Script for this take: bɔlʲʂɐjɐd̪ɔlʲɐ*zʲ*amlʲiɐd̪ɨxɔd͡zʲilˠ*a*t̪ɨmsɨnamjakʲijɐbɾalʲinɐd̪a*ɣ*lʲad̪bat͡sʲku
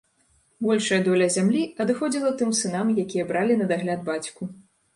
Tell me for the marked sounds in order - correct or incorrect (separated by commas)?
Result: correct, incorrect, correct